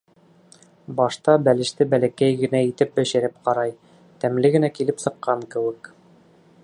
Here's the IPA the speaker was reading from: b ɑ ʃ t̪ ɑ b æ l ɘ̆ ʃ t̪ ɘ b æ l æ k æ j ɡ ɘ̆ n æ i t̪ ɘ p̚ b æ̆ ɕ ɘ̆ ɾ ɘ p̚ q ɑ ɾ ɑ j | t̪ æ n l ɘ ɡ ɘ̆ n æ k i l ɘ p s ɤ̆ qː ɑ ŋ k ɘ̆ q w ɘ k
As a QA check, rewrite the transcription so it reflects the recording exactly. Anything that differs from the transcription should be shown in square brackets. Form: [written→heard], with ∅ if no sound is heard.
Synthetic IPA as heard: b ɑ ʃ t̪ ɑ b æ l ɘ̆ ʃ t̪ ɘ b æ l æ k æ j ɡ ɘ̆ n æ i t̪ ɘ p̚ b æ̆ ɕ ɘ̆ ɾ ɘ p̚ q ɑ ɾ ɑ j | t̪ æ [n→m] l ɘ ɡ ɘ̆ n æ k i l ɘ p s ɤ̆ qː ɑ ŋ k ɘ̆ [q→∅] w ɘ k

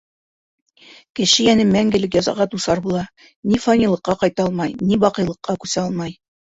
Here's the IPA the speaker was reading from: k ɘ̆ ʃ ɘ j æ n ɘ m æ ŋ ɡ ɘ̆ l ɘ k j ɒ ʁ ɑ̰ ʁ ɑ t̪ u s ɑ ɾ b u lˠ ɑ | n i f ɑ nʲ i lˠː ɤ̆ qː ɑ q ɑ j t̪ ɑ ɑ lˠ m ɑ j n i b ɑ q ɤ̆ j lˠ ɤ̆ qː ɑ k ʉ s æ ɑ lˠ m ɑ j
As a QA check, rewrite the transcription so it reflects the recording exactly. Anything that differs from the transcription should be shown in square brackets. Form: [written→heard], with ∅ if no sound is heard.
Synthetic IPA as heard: k ɘ̆ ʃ ɘ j æ n ɘ m æ ŋ ɡ ɘ̆ l ɘ k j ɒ [ʁ→z] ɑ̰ ʁ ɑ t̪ u s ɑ ɾ b u lˠ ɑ | n i f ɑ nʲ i [lˠː→lˠ] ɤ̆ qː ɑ q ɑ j t̪ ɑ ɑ lˠ m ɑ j n i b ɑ q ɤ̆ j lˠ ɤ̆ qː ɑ k ʉ s æ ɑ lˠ m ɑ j

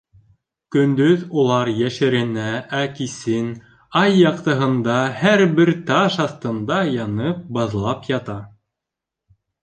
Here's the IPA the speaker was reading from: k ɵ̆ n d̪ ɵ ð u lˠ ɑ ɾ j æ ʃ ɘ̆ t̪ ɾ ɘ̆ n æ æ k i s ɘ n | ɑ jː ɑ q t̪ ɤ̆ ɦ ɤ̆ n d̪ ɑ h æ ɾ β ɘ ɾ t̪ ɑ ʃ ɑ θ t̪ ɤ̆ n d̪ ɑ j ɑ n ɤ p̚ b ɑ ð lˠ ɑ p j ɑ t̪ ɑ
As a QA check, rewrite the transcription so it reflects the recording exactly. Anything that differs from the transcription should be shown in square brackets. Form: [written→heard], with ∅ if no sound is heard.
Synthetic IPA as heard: k ɵ̆ n d̪ ɵ ð u lˠ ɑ ɾ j æ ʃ ɘ̆ [t̪→∅] ɾ ɘ̆ n æ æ k i s ɘ n | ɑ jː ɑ q t̪ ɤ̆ ɦ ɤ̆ n d̪ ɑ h æ ɾ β ɘ ɾ t̪ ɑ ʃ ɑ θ t̪ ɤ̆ n d̪ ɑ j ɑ n ɤ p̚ b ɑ ð lˠ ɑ p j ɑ t̪ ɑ

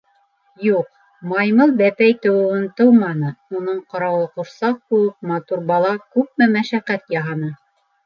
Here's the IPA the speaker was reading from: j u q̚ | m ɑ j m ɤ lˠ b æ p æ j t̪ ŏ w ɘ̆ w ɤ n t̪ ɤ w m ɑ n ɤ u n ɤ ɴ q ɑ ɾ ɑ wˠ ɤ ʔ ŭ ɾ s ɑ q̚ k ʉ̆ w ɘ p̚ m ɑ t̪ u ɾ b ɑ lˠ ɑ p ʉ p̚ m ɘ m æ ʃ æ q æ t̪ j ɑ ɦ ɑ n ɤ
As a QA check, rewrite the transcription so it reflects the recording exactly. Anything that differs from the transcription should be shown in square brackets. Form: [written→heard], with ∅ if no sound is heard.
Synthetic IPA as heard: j u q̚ | m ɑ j m ɤ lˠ b æ p æ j t̪ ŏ w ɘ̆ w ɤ n t̪ ɤ w m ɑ n ɤ u n ɤ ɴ q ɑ ɾ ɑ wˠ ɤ [ʔ→q] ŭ ɾ s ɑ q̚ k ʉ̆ w ɘ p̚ m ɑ t̪ u ɾ b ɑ lˠ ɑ [p→k] ʉ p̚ m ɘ m æ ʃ æ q æ t̪ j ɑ ɦ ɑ n ɤ

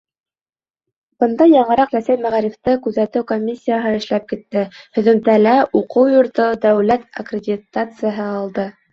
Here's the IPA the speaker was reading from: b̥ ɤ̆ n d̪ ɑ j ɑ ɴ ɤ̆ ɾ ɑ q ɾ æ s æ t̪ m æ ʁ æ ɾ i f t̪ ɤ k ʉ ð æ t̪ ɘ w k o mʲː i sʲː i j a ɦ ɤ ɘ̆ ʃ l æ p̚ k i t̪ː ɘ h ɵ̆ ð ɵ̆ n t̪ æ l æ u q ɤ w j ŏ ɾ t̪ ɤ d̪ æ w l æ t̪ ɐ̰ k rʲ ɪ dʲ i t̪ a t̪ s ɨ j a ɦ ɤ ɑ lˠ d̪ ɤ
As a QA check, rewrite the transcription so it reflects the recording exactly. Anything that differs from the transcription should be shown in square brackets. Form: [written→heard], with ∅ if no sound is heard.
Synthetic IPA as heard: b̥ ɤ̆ n d̪ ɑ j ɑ ɴ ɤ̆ ɾ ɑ q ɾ æ s æ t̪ m æ ʁ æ ɾ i f t̪ ɤ k ʉ ð æ t̪ ɘ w k o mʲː i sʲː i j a ɦ ɤ ɘ̆ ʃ l æ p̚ k i t̪ː ɘ h ɵ̆ ð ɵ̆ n t̪ æ l æ u q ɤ w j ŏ ɾ t̪ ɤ d̪ æ w l æ t̪ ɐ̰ k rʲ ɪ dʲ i t̪ a t̪ s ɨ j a ɦ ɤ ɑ lˠ d̪ ɤ

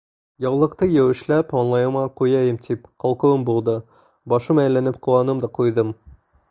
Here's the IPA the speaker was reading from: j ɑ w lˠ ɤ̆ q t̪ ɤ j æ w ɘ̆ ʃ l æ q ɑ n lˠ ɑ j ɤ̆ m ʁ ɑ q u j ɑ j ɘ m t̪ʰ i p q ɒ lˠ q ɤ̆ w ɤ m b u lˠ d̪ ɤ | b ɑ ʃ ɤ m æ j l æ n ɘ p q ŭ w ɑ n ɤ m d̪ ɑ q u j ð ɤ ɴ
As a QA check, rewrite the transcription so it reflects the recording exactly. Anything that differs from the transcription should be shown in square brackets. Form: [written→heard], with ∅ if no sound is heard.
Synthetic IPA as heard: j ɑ w lˠ ɤ̆ q t̪ ɤ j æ w ɘ̆ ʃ l æ [q→p] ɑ n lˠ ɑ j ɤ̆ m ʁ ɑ q u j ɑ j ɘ m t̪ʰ i p q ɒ lˠ q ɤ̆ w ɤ m b u lˠ d̪ ɤ | b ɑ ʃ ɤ m æ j l æ n ɘ p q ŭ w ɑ n ɤ m d̪ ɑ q u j ð ɤ [ɴ→m]

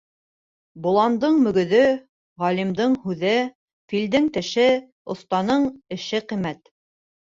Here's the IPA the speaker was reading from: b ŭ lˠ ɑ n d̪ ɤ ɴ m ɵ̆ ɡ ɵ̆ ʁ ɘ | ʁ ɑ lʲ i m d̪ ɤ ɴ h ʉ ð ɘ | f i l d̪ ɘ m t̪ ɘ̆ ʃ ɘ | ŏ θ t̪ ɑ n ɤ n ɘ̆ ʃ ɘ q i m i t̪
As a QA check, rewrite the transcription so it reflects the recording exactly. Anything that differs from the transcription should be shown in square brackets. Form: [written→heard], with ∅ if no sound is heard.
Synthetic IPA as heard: b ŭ lˠ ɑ n d̪ ɤ ɴ m ɵ̆ ɡ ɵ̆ [ʁ→ð] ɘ | ʁ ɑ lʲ i m d̪ ɤ ɴ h ʉ ð ɘ | f i l d̪ ɘ [m→ŋ] t̪ ɘ̆ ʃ ɘ | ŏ θ t̪ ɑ n ɤ [n→ɴ] ɘ̆ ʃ ɘ q i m [i→æ] t̪

